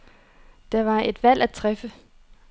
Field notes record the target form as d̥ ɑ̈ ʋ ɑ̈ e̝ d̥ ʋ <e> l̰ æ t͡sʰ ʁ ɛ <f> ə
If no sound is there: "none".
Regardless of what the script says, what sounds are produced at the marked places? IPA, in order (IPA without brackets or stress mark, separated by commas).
æ, f